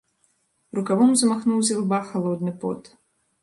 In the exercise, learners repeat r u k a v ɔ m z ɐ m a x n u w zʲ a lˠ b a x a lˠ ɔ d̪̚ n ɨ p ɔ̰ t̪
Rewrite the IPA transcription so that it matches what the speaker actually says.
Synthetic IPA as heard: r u k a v ɔ m z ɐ m a x n u w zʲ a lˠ b a x a lˠ ɔ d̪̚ n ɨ p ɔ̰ t̪